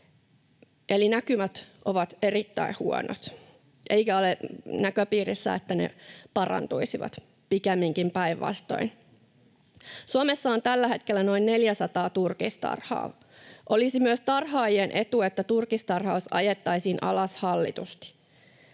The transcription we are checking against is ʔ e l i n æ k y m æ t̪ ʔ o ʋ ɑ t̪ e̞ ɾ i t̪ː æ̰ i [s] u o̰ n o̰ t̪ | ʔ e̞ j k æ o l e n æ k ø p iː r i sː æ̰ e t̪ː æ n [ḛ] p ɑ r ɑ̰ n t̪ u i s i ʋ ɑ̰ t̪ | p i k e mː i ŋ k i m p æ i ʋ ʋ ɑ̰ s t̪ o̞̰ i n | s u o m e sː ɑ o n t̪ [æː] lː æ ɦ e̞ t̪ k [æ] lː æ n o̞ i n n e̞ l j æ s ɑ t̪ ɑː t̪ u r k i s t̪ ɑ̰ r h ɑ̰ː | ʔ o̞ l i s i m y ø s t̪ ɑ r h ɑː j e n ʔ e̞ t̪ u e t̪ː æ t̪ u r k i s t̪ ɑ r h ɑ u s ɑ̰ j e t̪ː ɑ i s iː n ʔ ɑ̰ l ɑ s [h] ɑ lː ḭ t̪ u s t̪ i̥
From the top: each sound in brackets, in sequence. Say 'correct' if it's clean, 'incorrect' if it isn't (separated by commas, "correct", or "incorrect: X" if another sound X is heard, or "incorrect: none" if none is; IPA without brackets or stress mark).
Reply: incorrect: h, correct, incorrect: æ, incorrect: e, correct